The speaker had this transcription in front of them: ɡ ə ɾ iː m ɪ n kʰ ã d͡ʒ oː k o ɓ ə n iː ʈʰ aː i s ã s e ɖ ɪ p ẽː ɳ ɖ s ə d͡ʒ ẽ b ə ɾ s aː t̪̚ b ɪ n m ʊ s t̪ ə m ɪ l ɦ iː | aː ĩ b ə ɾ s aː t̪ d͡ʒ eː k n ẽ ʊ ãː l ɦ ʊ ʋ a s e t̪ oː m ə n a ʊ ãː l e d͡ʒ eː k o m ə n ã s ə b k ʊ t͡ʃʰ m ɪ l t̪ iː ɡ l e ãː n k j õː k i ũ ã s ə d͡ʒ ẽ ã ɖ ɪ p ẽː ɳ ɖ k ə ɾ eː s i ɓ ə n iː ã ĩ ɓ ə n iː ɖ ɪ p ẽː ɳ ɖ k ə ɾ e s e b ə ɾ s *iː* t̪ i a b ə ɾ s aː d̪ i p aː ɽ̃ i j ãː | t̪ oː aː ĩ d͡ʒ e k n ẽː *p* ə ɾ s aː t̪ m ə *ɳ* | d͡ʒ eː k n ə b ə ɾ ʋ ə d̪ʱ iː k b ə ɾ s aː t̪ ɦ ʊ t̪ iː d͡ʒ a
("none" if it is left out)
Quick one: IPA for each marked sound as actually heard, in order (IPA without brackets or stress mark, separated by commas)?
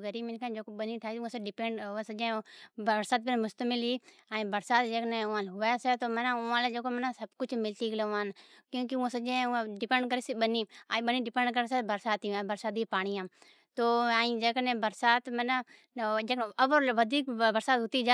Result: aː, b, n